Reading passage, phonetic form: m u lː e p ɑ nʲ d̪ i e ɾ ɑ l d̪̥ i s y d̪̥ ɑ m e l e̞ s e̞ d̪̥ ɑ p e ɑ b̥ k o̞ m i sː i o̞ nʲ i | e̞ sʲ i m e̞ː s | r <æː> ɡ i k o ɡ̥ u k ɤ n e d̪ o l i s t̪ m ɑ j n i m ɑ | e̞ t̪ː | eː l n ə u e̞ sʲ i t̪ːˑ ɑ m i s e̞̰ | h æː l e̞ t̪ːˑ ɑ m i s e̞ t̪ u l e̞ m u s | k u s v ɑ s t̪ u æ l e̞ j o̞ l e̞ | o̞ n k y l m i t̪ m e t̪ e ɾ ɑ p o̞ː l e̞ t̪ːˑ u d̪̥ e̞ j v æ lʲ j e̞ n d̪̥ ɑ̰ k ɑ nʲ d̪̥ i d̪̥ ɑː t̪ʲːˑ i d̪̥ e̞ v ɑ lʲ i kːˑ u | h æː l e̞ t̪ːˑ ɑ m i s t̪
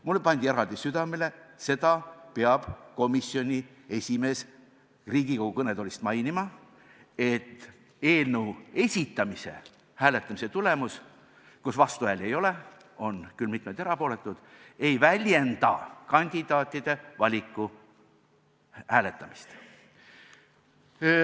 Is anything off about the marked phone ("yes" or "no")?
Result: yes